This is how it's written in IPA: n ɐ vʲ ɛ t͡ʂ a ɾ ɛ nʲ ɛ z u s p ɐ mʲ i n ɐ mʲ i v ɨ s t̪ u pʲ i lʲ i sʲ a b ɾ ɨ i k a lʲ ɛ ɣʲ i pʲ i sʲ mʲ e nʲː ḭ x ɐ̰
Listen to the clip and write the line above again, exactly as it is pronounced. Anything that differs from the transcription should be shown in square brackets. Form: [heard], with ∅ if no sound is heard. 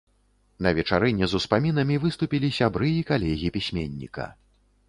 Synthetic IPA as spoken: n ɐ vʲ ɛ t͡ʂ a ɾ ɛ nʲ ɛ z u s p [a] mʲ i n ɐ mʲ i v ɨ s t̪ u pʲ i lʲ i sʲ a b ɾ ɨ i k a lʲ ɛ ɣʲ i pʲ i sʲ mʲ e nʲː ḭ [k] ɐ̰